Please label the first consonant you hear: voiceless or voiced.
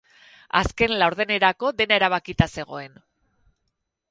voiceless